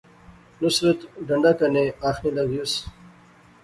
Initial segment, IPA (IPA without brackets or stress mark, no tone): n